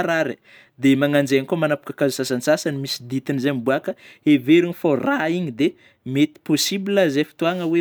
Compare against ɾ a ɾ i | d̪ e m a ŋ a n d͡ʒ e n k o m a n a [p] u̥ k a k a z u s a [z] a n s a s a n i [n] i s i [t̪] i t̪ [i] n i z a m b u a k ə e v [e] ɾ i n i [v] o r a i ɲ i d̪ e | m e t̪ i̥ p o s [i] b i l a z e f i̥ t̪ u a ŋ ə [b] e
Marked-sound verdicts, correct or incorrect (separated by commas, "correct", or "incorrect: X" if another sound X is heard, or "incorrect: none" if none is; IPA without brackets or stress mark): correct, incorrect: s, incorrect: m, incorrect: d̪, correct, correct, incorrect: f, correct, incorrect: w